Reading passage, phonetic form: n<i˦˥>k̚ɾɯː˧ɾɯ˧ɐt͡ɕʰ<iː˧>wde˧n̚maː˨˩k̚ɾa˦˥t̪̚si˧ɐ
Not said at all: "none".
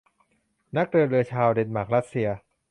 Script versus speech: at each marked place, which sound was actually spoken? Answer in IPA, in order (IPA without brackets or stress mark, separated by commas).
a˦˥, aː˧